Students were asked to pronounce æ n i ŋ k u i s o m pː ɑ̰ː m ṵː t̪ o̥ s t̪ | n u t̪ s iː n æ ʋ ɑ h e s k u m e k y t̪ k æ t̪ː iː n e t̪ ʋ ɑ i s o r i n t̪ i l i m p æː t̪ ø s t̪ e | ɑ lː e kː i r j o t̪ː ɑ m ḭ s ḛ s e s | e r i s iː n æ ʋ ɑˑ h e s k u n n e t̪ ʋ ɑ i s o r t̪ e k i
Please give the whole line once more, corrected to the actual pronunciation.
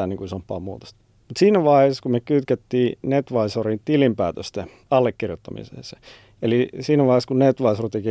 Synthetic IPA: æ n i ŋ k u i s o m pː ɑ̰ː m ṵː t̪ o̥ s t̪ | m u t̪ s iː n æ ʋ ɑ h e s k u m e k y t̪ k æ t̪ː iː n e t̪ ʋ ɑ i s o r i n t̪ i l i m p æː t̪ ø s t̪ e | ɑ lː e kː i r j o t̪ː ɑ m ḭ s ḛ s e | e l i s iː n æ ʋ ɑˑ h e s k u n n e t̪ ʋ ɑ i s o r t̪ e k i